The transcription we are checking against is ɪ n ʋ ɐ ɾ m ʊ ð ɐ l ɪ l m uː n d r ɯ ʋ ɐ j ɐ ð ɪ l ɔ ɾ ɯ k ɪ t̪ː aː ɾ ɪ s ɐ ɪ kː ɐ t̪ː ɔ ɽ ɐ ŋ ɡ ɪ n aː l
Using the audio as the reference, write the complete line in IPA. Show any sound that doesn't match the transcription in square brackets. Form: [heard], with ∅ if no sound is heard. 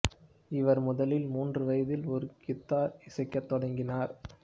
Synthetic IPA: ɪ [∅] ʋ ɐ ɾ m ʊ ð ɐ l ɪ l m uː n d r ɯ ʋ ɐ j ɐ ð ɪ l ɔ ɾ ɯ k ɪ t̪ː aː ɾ ɪ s ɐ ɪ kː ɐ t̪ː ɔ ɽ ɐ ŋ ɡ ɪ n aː [ɾ]